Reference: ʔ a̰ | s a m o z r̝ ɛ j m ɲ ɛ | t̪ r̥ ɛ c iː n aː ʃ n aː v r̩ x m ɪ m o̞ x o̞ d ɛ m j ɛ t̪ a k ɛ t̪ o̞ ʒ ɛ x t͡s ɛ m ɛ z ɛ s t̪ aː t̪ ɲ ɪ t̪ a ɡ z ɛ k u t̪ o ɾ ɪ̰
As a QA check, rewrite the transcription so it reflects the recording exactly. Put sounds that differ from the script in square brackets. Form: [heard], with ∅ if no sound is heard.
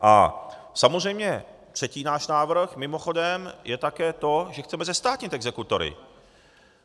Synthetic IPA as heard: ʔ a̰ | s a m o z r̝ ɛ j m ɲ ɛ | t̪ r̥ ɛ c iː n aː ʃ n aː v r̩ x m ɪ m o̞ x o̞ d ɛ m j ɛ t̪ a k [ɛː] t̪ o̞ ʒ ɛ x t͡s ɛ m ɛ z ɛ s t̪ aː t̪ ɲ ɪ t̪ [ɛ] ɡ z ɛ k u t̪ o ɾ ɪ̰